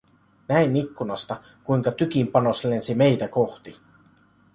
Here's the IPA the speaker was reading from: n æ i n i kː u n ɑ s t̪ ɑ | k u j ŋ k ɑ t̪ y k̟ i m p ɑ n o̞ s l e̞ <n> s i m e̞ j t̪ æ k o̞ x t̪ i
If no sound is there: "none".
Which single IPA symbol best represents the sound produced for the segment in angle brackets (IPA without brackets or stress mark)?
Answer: n